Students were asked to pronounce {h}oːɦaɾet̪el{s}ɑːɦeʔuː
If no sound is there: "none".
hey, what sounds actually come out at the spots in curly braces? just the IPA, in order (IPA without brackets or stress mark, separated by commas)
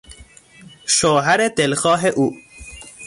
ʃ, x